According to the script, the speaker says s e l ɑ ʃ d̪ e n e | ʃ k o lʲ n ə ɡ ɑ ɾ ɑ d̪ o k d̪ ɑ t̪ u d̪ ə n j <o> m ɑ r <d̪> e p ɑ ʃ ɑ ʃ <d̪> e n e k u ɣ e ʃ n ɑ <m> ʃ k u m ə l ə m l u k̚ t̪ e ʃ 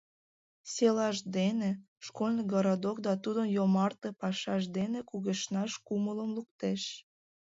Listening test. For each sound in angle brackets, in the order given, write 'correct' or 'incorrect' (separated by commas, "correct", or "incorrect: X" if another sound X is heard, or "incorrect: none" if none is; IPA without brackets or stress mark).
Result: correct, incorrect: t̪, correct, incorrect: none